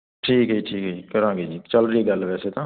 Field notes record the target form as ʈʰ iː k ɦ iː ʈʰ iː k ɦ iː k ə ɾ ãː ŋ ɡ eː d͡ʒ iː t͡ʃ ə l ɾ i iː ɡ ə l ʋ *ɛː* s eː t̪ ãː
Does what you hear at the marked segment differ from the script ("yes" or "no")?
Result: no